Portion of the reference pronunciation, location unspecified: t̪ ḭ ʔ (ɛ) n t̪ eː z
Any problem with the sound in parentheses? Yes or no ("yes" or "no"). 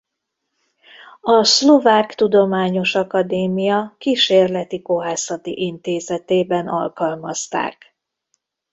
yes